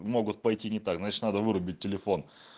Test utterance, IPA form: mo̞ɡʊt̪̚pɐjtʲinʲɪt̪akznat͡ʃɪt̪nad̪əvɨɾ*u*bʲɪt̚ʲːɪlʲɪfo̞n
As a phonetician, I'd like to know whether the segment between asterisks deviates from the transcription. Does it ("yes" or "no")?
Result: yes